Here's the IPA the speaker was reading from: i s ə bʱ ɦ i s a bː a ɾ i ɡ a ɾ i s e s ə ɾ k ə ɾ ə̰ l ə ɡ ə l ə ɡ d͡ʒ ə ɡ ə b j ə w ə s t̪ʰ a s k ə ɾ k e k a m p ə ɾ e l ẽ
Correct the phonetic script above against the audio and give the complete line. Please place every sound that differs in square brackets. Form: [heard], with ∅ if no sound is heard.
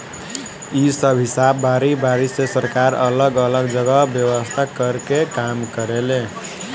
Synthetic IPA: i s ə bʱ ɦ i s a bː a ɾ i [b] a ɾ i s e s ə ɾ k [a] ɾ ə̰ l ə ɡ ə l ə ɡ d͡ʒ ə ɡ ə b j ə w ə s t̪ʰ a [∅] k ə ɾ k e k a m [k] ə ɾ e l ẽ

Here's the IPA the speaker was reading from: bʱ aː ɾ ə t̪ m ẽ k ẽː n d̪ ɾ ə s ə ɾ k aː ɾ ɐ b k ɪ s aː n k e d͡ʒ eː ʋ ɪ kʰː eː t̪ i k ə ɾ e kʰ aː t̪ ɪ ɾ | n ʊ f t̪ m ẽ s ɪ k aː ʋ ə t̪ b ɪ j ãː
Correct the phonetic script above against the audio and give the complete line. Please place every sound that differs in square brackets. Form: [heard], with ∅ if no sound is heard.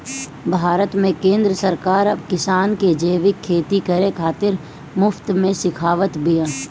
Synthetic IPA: bʱ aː ɾ ə t̪ m ẽ k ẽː n d̪ ɾ ə s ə ɾ k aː ɾ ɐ b k ɪ s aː n k e d͡ʒ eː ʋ ɪ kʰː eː t̪ i k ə ɾ e kʰ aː t̪ ɪ ɾ | [m] ʊ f t̪ m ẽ s ɪ [kʰ] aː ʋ ə t̪ b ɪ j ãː

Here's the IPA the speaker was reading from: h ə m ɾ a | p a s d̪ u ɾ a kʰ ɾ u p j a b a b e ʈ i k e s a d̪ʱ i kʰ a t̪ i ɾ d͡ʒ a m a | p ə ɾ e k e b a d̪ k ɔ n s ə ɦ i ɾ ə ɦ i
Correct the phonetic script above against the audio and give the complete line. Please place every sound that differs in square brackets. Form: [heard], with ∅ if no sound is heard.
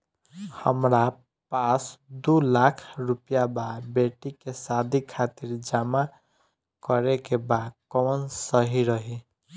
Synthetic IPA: h ə m ɾ a | p a s d̪ u [l] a kʰ ɾ u p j a b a b e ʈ i k e s a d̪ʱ i kʰ a t̪ i ɾ d͡ʒ a m a | [k] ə ɾ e k e b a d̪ k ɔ n s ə ɦ i ɾ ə ɦ i

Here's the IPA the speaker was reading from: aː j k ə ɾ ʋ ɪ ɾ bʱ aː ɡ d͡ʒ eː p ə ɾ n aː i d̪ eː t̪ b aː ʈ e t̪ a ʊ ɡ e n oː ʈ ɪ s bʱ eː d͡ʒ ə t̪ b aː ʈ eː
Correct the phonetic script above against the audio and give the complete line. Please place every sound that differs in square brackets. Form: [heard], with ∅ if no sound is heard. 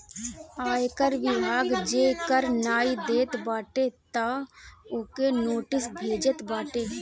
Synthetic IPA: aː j k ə ɾ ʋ ɪ [∅] bʱ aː ɡ d͡ʒ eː [k] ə ɾ n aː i d̪ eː t̪ b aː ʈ e t̪ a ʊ [k] e n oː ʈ ɪ s bʱ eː d͡ʒ ə t̪ b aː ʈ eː

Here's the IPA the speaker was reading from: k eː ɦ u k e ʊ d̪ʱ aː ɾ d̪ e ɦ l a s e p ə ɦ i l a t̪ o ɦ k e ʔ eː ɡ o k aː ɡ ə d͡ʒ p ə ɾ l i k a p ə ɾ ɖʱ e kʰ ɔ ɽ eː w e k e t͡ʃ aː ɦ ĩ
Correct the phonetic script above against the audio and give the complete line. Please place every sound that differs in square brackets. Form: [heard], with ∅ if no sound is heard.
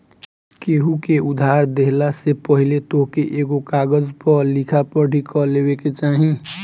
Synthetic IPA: k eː ɦ u k e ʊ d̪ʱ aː ɾ d̪ e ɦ l a s e p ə ɦ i l [e] t̪ o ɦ k e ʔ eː ɡ o k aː ɡ ə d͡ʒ p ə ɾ l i [kʰ] a p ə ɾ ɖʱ [i] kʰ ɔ [l] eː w e k e t͡ʃ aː ɦ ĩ

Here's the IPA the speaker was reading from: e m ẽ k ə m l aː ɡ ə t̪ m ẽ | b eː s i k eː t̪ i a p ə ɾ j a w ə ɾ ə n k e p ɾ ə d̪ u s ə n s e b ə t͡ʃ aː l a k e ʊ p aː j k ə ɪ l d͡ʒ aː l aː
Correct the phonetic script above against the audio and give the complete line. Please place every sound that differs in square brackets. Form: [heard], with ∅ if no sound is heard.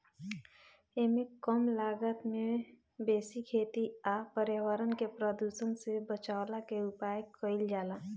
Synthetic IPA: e m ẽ k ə m l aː ɡ ə t̪ m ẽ | b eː s i [kʰ] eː t̪ i a p ə ɾ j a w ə ɾ ə n k e p ɾ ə d̪ u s ə n s e b ə t͡ʃ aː l a k e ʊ p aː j k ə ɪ l d͡ʒ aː l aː

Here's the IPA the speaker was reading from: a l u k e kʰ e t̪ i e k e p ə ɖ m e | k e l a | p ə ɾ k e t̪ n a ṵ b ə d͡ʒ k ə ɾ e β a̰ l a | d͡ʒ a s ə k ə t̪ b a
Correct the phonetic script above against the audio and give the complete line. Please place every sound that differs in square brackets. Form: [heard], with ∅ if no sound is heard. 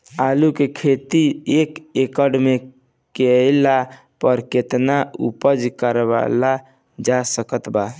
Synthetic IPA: a l u k e kʰ e t̪ i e k e [k] ə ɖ m e | k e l a | p ə ɾ k e t̪ n a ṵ [p] ə d͡ʒ k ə ɾ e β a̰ l a | d͡ʒ a s ə k ə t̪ b a

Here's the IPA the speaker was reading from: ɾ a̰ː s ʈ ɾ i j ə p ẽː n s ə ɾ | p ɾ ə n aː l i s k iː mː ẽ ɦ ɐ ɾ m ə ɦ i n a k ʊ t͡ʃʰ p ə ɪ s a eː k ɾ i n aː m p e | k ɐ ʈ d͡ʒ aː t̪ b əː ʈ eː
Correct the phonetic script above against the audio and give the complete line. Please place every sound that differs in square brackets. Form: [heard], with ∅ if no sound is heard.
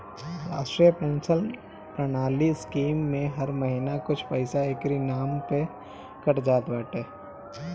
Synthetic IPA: ɾ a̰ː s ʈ ɾ i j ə p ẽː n s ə [l] | p ɾ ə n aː l i s k iː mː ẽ ɦ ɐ ɾ m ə ɦ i n a k ʊ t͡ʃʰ p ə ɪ s a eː k ɾ i n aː m p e | k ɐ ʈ d͡ʒ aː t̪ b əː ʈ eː

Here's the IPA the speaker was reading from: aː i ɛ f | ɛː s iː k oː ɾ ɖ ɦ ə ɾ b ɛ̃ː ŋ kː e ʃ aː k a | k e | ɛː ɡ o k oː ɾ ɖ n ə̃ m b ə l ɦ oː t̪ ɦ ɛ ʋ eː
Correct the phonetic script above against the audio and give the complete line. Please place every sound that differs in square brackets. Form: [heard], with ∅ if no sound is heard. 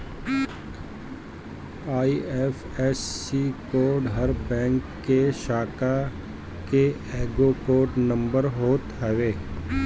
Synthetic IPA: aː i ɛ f | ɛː s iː k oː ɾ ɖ ɦ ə ɾ b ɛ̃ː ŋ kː e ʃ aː k a | k e | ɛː ɡ o k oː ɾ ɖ n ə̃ m b ə [ɾ] ɦ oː t̪ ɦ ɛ ʋ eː

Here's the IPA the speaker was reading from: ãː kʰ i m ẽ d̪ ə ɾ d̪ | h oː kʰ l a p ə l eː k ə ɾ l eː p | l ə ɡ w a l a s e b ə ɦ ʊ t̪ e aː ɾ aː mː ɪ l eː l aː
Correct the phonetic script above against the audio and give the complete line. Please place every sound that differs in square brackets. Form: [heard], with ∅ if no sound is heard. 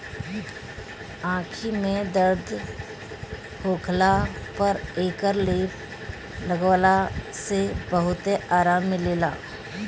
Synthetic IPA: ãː kʰ i m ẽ d̪ ə ɾ d̪ | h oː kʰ l a p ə [ɾ] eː k ə ɾ l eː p | l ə ɡ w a l a s e b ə ɦ ʊ t̪ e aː ɾ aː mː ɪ l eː l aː

